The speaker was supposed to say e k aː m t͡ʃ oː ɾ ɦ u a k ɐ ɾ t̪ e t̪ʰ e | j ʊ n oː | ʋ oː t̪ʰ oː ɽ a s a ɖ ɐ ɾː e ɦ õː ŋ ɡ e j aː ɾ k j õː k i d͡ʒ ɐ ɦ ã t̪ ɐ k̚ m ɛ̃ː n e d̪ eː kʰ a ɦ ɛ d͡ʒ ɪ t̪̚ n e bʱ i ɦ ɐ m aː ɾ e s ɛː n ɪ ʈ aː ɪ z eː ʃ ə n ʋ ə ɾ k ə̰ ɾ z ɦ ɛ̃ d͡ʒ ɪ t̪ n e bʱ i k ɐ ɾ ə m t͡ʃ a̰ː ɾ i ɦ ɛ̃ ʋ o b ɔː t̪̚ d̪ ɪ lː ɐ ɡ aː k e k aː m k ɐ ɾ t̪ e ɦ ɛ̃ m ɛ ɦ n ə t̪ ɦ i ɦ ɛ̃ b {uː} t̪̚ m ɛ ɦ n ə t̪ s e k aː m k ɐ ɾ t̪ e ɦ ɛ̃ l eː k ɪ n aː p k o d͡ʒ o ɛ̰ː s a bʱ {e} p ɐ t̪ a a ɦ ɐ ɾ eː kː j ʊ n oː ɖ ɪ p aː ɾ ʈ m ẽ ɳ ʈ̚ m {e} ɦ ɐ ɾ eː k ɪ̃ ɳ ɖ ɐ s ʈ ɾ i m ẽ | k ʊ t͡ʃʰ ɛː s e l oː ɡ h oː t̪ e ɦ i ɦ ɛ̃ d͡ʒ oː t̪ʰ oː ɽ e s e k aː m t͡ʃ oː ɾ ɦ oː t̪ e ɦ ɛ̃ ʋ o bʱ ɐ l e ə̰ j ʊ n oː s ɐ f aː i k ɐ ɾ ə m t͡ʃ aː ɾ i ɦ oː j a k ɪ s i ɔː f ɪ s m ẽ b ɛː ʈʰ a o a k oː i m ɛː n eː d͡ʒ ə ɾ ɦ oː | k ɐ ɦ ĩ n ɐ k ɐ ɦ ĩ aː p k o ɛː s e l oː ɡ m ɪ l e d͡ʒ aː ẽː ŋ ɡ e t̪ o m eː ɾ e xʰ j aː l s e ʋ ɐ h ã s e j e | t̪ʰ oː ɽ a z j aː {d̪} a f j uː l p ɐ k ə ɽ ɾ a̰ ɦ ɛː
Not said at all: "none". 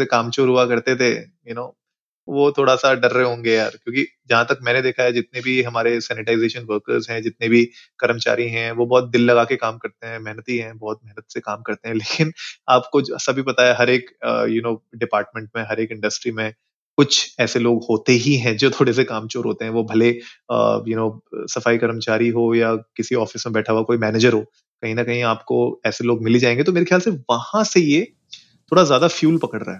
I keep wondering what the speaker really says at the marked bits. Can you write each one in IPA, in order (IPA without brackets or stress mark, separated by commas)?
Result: ɔː, i, ẽ, d̪